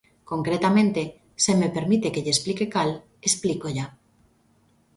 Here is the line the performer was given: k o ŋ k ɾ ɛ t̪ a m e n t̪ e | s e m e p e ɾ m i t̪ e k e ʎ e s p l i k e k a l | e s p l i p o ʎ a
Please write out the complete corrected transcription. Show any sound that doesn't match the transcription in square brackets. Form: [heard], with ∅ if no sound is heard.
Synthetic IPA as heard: k o ŋ k ɾ [e] t̪ a m [ẽ] n t̪ e | s e m e p e ɾ m i t̪ e k e ʎ e s p l i k e k a l | e s p l i [k] o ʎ a